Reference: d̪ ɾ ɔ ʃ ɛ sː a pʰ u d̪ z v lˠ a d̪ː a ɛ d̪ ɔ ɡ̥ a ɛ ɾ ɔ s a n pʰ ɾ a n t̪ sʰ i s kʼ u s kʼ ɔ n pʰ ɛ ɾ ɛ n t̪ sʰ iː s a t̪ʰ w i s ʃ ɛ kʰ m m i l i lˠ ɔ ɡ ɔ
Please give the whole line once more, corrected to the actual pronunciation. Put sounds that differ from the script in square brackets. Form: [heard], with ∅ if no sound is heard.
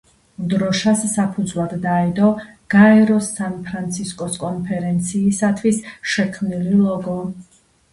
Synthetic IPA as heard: d̪ ɾ ɔ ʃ [a] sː a pʰ u d̪ z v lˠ a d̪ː a ɛ d̪ ɔ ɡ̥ a ɛ ɾ ɔ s a n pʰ ɾ a n t̪ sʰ i s kʼ [ɔ] s kʼ ɔ n pʰ ɛ ɾ ɛ n t̪ sʰ iː s a t̪ʰ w i s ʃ ɛ kʰ m [n] i l i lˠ ɔ ɡ ɔ